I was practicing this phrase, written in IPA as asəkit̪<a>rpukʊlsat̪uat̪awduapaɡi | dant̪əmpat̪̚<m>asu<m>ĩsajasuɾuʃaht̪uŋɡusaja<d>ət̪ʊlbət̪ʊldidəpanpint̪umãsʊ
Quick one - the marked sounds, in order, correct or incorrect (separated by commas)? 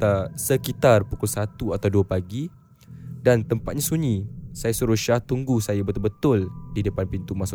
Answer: correct, incorrect, incorrect, incorrect